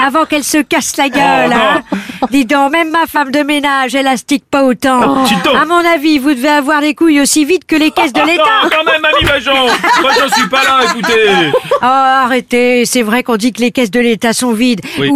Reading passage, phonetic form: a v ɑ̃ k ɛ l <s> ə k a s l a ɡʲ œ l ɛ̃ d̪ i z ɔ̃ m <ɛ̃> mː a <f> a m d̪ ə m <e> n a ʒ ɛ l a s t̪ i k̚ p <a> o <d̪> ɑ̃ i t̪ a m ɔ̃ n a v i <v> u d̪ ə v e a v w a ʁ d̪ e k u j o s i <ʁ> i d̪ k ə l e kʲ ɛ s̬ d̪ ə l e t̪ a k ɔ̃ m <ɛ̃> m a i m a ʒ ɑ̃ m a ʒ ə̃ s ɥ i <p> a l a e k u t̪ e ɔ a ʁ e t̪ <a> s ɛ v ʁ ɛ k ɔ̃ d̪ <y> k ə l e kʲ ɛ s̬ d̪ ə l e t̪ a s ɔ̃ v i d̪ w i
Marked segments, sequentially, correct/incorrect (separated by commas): correct, incorrect, correct, correct, correct, incorrect, correct, incorrect, incorrect, correct, incorrect, incorrect